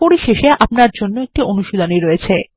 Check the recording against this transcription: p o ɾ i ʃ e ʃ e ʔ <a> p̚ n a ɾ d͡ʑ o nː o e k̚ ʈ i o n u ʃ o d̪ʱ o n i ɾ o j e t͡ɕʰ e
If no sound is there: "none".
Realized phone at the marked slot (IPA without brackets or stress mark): a